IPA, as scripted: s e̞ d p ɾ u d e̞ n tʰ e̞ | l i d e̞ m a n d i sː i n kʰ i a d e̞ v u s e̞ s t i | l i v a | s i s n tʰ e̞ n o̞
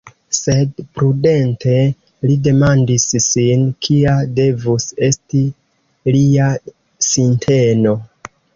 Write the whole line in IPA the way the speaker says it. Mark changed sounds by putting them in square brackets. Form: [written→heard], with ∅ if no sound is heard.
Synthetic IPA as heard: s e̞ d p ɾ u d e̞ n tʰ e̞ | l i d e̞ m a n d i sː i n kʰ i a d e̞ v u s e̞ s t i | l i [v→∅] a | s i [s→∅] n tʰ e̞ n o̞